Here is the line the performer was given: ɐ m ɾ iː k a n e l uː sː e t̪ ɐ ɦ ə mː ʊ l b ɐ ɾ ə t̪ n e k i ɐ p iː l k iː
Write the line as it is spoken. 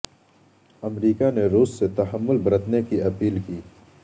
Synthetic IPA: ɐ m ɾ iː k a n e ɾ uː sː e t̪ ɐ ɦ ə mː ʊ l b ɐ ɾ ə t̪ n e k i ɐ p iː l k iː